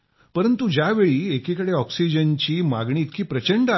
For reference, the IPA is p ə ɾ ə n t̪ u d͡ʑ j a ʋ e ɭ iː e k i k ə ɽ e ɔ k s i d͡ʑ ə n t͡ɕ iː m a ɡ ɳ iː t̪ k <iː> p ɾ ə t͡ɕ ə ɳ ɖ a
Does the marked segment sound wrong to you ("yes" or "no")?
no